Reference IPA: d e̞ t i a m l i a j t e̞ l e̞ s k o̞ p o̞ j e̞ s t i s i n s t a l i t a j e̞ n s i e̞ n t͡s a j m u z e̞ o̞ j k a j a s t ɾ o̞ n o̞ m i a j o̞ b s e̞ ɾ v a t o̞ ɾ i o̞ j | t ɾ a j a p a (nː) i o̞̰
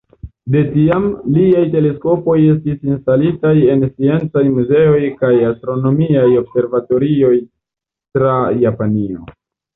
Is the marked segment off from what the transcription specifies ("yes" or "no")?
yes